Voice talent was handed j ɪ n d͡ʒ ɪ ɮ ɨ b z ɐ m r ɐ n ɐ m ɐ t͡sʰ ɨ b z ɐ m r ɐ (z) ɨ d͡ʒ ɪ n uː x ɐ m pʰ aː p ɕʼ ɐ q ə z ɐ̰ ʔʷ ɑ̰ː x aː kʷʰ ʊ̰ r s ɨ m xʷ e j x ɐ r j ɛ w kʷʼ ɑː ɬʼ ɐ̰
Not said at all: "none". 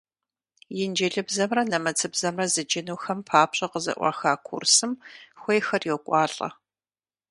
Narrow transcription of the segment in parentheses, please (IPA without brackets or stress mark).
z